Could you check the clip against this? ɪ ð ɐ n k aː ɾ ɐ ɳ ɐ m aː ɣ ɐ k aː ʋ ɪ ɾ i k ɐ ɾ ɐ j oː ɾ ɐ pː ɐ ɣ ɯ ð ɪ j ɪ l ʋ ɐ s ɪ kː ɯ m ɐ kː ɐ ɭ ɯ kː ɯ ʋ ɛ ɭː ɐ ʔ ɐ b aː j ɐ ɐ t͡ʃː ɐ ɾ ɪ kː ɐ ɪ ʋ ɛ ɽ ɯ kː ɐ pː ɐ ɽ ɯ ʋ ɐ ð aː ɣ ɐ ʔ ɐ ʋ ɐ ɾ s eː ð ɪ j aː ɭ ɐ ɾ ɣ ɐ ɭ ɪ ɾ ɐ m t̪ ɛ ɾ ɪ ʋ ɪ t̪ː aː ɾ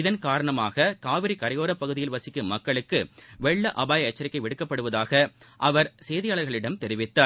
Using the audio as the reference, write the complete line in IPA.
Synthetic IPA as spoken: ɪ ð ɐ n k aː ɾ ɐ ɳ ɐ m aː ɣ ɐ k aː ʋ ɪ ɾ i k ɐ ɾ ɐ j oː ɾ ɐ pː ɐ ɣ ɯ ð ɪ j ɪ l ʋ ɐ s ɪ kː ɯ m ɐ kː ɐ ɭ ɯ kː ɯ ʋ ɛ ɭː ɐ ʔ ɐ b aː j ɐ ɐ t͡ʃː ɐ ɾ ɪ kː ɐ ɪ ʋ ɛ ɽ ɯ kː ɐ pː ɐ ɽ ɯ ʋ ɐ ð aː ɣ ɐ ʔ ɐ ʋ ɐ ɾ s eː ð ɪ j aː ɭ ɐ ɾ ɣ ɐ ɭ ɪ ɽ ɐ m t̪ ɛ ɾ ɪ ʋ ɪ t̪ː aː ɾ